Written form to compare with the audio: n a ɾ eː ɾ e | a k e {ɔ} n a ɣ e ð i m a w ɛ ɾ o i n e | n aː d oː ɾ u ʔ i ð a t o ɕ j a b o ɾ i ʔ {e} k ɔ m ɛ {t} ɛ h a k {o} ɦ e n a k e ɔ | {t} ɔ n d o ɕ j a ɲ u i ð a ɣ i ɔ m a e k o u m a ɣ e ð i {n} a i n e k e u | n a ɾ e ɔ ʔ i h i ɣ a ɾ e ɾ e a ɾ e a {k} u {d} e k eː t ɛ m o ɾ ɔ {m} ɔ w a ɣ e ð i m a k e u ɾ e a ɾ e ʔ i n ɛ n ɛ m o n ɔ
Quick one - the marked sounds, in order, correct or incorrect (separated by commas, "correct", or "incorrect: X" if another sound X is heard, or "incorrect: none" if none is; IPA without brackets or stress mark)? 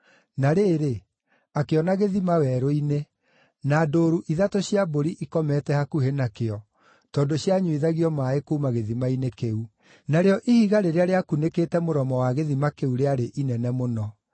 correct, incorrect: i, correct, incorrect: u, correct, incorrect: m, correct, incorrect: n, correct